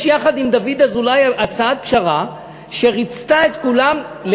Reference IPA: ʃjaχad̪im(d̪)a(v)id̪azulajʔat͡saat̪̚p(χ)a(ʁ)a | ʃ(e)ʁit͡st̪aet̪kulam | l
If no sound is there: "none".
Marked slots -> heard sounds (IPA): d̪, v, ʃ, ʁ, e

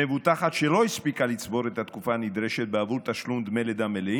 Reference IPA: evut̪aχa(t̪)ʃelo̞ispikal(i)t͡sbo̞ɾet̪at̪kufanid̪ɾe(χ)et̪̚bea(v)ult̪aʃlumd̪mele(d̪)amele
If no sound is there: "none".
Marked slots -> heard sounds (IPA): t̪, i, ʃ, v, d̪

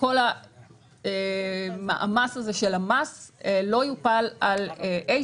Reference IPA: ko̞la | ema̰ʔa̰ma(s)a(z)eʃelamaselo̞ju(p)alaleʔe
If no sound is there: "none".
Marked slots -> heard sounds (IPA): s, z, p

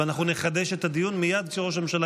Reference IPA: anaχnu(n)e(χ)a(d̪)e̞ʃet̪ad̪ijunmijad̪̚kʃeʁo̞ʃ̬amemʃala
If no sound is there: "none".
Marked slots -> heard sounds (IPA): n, χ, d̪

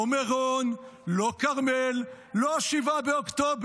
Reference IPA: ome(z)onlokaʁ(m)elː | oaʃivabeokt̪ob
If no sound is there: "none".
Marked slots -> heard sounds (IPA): ʁ, m

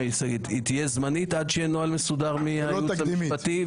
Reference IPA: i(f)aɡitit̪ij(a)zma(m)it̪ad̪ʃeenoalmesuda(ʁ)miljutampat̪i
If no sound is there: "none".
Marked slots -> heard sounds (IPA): s, e, n, ʁ

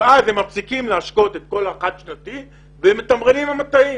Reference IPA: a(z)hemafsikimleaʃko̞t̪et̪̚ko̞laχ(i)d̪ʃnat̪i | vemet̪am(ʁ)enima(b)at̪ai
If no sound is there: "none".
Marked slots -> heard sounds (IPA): z, a, ʁ, m

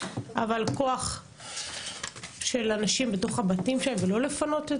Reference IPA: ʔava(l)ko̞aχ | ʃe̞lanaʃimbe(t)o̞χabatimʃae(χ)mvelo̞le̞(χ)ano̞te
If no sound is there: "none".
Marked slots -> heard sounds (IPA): l, t, none, f

